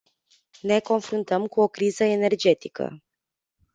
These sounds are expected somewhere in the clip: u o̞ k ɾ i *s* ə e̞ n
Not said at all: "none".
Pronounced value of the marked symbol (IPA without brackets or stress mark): z